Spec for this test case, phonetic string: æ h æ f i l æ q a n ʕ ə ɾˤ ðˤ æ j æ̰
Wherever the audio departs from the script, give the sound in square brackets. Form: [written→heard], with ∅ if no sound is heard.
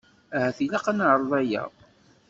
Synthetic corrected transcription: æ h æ [f→θ] i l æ q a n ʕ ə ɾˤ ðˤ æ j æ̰